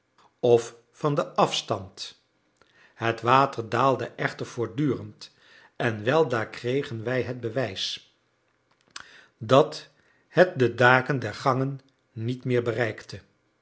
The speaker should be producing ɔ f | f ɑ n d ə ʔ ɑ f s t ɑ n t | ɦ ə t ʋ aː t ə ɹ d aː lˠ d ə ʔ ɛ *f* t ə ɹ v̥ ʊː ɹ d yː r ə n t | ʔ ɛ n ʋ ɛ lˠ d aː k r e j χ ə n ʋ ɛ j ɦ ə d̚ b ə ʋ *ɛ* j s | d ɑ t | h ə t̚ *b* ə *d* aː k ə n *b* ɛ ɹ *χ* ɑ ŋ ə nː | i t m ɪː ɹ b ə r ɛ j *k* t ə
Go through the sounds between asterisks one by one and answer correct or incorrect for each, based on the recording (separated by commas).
incorrect, correct, incorrect, correct, incorrect, correct, correct